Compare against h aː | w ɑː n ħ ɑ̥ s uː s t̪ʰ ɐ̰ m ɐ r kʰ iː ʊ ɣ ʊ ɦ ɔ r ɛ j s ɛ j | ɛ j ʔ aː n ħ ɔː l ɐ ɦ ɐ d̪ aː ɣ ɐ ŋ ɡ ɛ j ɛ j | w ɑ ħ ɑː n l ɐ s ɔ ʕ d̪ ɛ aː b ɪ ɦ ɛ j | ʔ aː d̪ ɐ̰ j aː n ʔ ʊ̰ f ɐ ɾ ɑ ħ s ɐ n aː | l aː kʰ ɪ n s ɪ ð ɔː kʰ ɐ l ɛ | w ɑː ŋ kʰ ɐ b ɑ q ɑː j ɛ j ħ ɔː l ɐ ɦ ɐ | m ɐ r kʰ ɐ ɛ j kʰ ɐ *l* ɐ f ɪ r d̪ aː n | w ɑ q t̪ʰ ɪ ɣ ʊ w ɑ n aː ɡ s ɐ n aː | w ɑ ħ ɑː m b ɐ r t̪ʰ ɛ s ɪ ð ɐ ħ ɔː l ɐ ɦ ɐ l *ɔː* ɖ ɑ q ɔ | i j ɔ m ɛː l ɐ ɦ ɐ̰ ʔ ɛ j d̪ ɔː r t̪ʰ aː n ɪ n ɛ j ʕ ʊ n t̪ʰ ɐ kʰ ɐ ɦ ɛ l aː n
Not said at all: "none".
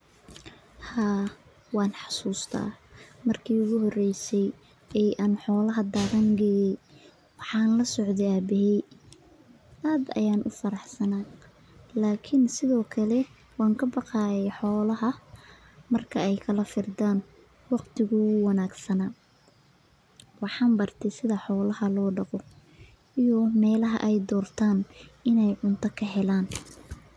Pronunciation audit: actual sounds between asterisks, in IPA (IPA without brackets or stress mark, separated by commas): l, ɔː